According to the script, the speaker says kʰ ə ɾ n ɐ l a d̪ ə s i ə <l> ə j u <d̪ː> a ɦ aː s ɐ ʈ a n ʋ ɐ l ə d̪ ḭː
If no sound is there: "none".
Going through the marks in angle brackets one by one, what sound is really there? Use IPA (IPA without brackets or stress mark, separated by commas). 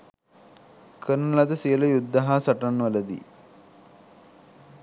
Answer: l, d̪ː